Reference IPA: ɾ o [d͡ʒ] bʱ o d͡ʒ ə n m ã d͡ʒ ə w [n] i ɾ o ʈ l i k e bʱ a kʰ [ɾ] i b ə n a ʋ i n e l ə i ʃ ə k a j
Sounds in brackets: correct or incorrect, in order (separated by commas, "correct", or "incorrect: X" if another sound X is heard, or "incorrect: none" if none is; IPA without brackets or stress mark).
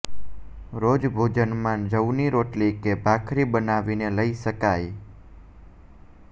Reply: correct, correct, correct